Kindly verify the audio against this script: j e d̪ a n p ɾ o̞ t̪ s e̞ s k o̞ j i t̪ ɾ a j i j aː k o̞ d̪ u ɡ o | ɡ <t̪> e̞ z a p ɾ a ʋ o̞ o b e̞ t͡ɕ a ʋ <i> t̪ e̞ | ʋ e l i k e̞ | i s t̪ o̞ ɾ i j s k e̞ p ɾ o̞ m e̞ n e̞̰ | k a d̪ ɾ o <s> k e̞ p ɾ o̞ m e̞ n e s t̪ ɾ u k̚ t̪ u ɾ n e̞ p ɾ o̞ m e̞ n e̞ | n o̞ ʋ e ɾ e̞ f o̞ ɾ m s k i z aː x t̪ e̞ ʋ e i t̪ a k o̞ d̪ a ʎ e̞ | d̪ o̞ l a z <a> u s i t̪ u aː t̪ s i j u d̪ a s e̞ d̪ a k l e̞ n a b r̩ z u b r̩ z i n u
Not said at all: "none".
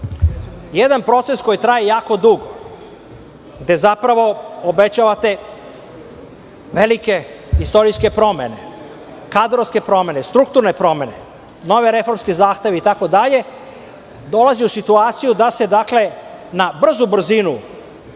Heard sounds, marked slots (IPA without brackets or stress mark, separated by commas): d̪, a, s, i